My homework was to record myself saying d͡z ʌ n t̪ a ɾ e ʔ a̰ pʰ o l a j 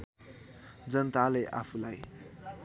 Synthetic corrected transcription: d͡z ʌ n t̪ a l e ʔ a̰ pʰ u l a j